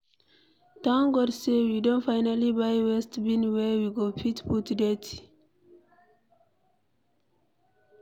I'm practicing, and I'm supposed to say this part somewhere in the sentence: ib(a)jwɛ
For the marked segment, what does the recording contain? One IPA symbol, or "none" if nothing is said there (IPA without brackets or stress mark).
a